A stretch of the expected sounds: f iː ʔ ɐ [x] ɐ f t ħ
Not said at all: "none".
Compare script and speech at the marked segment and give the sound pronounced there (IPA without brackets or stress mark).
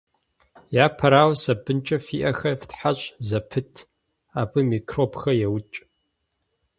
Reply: x